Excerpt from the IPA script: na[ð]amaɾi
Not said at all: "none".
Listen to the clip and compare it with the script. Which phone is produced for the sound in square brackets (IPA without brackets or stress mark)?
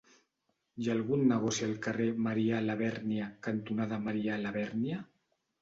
ð